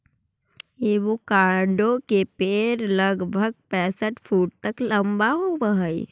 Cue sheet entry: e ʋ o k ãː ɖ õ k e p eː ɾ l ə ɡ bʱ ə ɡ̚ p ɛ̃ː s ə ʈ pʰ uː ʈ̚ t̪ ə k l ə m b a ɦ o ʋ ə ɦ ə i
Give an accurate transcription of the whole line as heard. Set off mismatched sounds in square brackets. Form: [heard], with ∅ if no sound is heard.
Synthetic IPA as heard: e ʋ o k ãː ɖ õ k e p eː ɾ l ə ɡ bʱ ə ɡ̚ p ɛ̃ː s ə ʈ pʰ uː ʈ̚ t̪ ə k l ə m b a ɦ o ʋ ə ɦ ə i